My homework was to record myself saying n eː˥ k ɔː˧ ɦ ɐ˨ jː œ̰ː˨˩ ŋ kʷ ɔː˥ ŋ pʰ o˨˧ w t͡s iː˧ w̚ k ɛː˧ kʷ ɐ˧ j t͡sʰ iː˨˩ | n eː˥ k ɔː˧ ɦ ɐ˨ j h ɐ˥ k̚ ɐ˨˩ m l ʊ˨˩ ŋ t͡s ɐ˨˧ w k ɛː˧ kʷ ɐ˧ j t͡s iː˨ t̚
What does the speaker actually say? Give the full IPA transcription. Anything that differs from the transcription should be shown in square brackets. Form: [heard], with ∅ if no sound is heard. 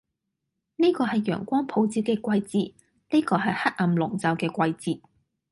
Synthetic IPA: n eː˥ k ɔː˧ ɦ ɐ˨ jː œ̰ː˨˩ ŋ kʷ ɔː˥ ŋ pʰ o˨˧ w t͡s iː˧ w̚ k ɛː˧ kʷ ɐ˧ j [t͡s] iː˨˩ | n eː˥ k ɔː˧ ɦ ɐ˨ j h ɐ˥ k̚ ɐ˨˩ m l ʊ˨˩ ŋ t͡s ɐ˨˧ w k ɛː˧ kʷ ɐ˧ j t͡s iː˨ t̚